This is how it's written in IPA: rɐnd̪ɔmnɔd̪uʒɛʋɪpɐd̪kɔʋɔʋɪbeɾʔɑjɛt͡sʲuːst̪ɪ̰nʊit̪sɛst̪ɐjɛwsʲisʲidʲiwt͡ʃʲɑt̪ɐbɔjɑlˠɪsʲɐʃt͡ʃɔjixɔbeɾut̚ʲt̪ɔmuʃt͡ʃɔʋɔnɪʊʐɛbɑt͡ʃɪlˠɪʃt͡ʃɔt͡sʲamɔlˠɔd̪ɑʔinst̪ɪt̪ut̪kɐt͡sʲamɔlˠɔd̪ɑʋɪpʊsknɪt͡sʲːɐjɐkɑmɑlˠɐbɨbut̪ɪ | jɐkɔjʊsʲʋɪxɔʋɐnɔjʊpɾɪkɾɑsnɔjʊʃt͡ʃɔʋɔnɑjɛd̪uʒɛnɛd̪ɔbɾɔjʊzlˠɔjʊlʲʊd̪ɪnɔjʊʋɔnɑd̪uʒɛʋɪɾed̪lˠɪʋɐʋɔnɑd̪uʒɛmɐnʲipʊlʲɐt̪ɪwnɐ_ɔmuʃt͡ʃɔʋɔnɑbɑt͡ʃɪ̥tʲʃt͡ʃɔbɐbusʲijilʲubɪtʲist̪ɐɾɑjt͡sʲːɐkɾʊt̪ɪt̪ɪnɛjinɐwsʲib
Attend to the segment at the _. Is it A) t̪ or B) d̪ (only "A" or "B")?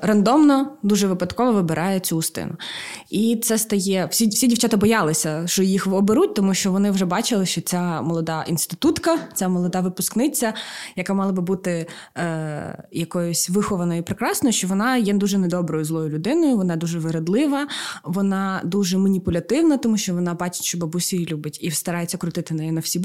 A